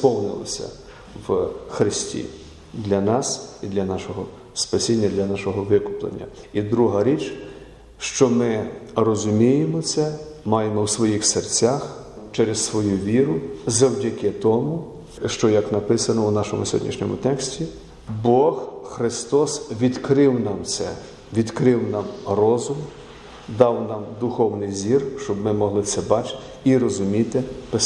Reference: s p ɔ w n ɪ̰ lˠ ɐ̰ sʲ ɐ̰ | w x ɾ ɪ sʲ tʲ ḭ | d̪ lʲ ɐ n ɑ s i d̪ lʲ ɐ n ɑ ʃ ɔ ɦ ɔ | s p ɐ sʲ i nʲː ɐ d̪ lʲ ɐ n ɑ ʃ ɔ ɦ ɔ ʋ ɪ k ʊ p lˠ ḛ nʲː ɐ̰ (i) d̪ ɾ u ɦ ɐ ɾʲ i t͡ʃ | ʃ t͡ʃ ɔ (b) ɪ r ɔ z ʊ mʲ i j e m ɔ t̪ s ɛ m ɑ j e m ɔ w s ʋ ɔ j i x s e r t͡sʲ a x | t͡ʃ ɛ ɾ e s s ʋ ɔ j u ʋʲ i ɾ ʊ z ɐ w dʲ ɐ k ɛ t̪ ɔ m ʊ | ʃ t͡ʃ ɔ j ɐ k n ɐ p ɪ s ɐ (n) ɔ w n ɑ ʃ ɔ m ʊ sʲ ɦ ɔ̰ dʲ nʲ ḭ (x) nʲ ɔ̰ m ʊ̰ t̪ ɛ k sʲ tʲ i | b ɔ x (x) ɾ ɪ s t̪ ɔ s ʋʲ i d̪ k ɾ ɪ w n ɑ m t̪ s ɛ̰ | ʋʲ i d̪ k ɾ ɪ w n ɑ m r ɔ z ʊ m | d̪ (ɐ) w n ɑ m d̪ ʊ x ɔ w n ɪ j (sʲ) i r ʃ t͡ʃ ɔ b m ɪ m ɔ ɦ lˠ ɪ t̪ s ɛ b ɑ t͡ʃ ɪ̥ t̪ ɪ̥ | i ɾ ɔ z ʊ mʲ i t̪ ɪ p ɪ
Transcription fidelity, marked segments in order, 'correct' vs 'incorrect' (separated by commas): correct, incorrect, correct, incorrect, correct, incorrect, incorrect